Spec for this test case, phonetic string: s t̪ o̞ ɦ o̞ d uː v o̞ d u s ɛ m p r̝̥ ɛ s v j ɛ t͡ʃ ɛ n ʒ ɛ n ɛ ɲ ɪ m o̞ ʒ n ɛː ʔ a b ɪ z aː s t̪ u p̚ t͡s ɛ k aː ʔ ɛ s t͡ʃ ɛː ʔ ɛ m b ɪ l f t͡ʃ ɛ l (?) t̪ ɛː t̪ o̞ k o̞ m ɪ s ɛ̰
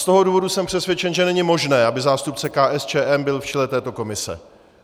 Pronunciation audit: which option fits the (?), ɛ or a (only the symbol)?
ɛ